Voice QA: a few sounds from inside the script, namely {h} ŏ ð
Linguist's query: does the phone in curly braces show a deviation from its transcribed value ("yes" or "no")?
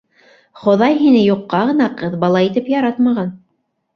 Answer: yes